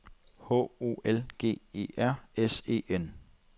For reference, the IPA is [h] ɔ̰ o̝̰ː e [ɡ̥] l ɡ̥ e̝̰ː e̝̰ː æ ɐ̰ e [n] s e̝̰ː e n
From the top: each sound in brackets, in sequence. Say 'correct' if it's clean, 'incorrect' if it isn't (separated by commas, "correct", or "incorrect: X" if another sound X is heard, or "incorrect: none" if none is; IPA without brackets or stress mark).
correct, incorrect: none, incorrect: none